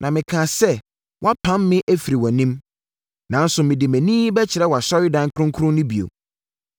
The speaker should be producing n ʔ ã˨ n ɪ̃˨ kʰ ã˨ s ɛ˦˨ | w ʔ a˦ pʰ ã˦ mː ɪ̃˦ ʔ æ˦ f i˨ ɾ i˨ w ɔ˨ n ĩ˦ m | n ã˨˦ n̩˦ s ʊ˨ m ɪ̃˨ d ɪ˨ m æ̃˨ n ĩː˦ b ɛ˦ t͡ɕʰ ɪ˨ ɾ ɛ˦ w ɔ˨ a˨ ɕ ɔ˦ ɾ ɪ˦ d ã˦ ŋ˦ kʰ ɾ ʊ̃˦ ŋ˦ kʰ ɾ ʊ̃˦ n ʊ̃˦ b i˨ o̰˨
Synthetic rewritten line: n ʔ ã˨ m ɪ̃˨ kʰ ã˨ s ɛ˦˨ | w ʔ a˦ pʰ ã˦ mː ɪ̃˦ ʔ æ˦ f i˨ ɾ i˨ w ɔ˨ n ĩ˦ m | n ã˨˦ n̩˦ s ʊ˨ m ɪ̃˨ d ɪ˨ m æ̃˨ n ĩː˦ b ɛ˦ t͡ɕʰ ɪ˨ ɾ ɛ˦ w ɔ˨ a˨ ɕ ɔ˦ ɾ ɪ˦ d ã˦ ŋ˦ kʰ ɾ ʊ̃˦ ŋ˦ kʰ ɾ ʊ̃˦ n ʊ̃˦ b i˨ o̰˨